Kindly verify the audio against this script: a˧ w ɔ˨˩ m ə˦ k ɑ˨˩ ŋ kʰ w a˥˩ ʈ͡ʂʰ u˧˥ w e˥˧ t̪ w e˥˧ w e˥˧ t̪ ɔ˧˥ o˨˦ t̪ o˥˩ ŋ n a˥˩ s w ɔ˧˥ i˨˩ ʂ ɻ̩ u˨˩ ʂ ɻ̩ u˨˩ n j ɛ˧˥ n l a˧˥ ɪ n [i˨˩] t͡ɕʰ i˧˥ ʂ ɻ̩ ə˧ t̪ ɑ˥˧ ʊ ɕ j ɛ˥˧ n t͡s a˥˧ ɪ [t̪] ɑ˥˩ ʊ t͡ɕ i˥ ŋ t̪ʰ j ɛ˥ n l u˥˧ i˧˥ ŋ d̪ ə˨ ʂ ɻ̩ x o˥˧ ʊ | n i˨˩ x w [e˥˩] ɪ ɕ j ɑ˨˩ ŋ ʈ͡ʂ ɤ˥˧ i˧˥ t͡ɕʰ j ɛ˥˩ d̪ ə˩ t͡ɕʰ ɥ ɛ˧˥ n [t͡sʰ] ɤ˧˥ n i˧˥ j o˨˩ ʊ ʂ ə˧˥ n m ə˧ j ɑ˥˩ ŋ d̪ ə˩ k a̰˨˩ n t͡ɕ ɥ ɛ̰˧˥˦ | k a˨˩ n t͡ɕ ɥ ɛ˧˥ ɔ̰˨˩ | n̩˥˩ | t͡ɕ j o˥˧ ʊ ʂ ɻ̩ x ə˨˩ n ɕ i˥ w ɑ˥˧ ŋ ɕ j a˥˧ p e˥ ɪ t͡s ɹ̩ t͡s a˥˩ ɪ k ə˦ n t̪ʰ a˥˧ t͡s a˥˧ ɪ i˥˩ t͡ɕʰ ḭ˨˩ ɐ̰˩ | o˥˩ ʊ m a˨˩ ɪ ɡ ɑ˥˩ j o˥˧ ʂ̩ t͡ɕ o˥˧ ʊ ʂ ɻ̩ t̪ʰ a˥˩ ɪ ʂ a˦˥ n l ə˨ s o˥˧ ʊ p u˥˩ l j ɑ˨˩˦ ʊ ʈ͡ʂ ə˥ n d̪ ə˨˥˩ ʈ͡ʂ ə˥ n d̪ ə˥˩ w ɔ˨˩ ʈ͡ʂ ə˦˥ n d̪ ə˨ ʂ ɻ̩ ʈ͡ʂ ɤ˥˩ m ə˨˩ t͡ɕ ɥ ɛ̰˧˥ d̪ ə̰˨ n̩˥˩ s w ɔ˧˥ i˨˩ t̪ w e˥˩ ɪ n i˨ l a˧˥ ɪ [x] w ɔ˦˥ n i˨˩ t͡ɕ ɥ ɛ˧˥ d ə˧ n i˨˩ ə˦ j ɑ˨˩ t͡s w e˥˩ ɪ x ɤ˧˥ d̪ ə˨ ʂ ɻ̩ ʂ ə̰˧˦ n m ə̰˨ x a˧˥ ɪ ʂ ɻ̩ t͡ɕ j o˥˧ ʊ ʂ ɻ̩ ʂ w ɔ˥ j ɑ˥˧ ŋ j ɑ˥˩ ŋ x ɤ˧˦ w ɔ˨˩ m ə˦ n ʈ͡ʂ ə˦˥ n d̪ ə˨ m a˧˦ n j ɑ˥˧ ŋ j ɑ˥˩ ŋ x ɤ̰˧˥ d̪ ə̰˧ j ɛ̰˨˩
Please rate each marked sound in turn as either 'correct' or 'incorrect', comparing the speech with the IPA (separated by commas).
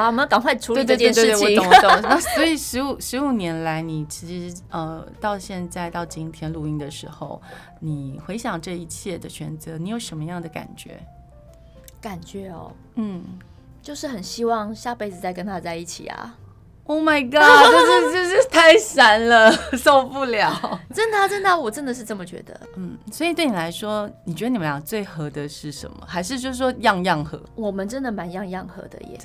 correct, correct, incorrect, incorrect, incorrect